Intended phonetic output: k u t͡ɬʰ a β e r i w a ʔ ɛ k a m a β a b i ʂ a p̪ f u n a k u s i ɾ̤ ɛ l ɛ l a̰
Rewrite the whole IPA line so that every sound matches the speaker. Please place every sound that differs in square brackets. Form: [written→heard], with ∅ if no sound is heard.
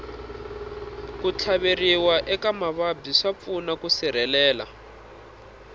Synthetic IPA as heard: k u t͡ɬʰ a β e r i w a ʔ ɛ k a m a β a b i ʂ a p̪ f u n a k u s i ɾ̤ ɛ l [ɛ→ɛː] l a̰